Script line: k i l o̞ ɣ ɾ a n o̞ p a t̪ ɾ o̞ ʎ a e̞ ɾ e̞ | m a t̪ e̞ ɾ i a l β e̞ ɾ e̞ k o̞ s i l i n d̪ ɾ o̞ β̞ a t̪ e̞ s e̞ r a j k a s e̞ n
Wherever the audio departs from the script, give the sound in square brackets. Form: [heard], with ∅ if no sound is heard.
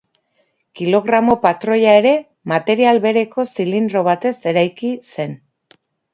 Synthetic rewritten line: k i l o̞ ɣ ɾ a [m] o̞ p a t̪ ɾ o̞ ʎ a e̞ ɾ e̞ | m a t̪ e̞ ɾ i a l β e̞ ɾ e̞ k o̞ s i l i n d̪ ɾ o̞ β̞ a t̪ e̞ s e̞ [ɾ] a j k [i] s e̞ n

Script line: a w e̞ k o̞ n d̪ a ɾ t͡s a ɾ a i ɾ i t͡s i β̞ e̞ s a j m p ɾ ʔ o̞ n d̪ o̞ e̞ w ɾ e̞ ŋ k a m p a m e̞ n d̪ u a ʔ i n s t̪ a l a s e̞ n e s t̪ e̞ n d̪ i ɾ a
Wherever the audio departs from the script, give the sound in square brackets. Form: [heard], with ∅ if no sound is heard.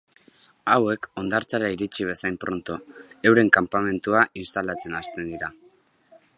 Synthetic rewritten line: a w e̞ k o̞ n d̪ a ɾ t͡s a ɾ a i ɾ i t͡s i β̞ e̞ s a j m p ɾ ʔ o̞ n [t̪] o̞ e̞ w ɾ e̞ ŋ k a m p a m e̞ n [t̪] u a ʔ i n s t̪ a l a [t͡s] e̞ n [a] s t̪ e̞ n d̪ i ɾ a

